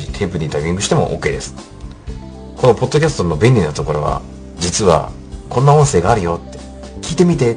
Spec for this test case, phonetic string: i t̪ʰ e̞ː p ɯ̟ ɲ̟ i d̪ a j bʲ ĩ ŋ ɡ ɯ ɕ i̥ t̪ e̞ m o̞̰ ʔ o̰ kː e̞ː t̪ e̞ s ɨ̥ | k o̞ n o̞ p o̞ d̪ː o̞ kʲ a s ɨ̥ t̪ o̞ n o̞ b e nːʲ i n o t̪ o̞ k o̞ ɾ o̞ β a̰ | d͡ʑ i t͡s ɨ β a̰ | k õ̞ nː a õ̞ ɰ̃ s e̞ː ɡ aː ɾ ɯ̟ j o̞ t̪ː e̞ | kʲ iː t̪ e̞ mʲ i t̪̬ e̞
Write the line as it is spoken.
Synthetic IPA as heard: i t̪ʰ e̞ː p ɯ̟ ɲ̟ i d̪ a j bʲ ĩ ŋ ɡ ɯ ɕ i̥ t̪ e̞ m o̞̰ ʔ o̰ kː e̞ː d̪ e̞ s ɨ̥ | k o̞ n o̞ p o̞ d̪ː o̞ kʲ a s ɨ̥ t̪ o̞ n o̞ b e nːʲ i n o t̪ o̞ k o̞ ɾ o̞ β a̰ | d͡ʑ i t͡s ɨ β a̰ | k õ̞ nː a õ̞ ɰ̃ s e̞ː ɡ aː ɾ ɯ̟ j o̞ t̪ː e̞ | kʲ iː t̪ e̞ mʲ i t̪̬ e̞